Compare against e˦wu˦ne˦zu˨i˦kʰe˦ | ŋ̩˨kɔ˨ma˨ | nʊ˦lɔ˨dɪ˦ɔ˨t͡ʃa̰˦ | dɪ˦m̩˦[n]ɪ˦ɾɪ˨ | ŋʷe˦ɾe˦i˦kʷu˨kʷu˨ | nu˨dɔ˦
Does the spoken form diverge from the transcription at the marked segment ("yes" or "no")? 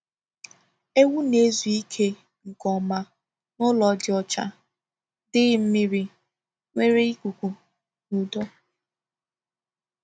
yes